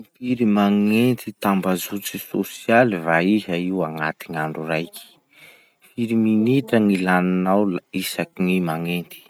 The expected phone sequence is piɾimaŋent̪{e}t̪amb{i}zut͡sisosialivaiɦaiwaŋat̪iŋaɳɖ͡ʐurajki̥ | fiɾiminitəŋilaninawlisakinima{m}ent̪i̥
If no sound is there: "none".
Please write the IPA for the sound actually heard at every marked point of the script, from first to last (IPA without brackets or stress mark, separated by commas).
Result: i, a, ŋ